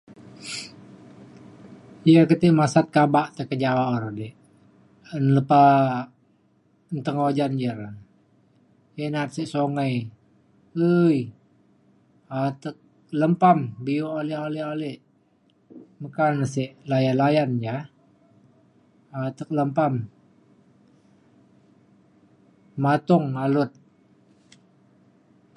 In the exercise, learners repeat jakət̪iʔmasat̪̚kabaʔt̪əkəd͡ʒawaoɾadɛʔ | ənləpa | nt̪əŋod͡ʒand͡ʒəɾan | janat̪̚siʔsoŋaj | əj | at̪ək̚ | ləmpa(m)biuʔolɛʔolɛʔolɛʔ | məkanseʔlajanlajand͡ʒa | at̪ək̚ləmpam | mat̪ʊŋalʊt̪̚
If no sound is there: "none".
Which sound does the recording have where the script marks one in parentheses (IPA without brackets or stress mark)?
m